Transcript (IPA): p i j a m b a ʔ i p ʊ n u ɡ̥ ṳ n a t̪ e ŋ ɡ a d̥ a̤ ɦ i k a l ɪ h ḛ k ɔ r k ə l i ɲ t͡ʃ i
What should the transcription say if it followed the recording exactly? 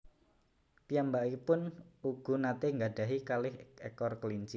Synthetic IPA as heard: p i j a m b a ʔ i p ʊ n u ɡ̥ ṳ n a t̪ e ŋ ɡ a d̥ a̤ ɦ i k a l ɪ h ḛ k ɔ r k ə l i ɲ t͡ʃ i